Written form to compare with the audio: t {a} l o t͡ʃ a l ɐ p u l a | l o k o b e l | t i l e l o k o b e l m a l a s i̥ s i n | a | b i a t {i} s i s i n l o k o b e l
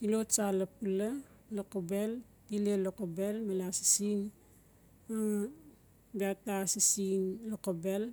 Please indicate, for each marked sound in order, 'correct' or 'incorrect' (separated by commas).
incorrect, incorrect